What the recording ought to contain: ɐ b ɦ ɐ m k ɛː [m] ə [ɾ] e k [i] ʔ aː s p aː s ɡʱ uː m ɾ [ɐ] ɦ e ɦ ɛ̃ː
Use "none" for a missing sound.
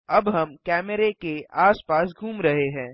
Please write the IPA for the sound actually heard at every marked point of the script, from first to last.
m, ɾ, e, ɐ

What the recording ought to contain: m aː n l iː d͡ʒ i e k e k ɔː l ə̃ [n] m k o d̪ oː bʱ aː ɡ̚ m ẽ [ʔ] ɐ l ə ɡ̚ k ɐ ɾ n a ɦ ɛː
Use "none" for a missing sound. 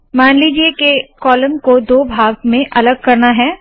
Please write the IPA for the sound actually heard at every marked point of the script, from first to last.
none, ʔ

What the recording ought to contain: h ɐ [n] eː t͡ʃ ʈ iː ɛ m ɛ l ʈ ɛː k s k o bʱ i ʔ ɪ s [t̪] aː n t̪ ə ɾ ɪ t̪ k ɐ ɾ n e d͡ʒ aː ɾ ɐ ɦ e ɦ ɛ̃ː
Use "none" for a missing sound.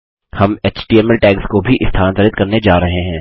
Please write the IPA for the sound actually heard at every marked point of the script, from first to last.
m, t̪ʰ

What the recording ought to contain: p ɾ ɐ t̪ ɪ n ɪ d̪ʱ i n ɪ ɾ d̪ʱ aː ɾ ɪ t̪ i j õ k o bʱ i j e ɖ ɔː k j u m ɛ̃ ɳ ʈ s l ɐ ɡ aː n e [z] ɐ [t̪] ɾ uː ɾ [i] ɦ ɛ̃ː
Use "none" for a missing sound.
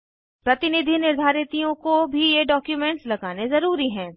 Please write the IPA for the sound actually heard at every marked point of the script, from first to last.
z, none, i

